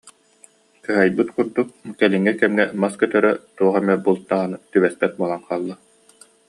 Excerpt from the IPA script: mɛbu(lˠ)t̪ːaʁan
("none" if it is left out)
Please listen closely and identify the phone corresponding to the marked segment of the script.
lˠ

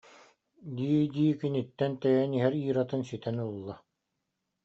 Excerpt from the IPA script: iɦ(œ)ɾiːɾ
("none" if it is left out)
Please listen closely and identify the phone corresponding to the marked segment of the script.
ɛ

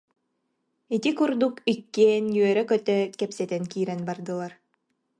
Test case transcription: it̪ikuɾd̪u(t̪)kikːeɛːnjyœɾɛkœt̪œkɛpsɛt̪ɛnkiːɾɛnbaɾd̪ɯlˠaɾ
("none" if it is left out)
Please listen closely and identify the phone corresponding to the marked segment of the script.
none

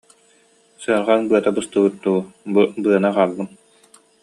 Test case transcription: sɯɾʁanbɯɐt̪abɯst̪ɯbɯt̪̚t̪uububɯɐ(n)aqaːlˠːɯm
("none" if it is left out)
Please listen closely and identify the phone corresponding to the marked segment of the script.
n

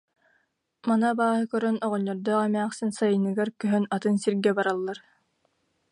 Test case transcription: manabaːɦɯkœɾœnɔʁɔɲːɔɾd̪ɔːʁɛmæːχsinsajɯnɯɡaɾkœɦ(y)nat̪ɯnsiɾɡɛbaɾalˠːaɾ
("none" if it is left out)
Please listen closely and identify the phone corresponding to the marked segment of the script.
œ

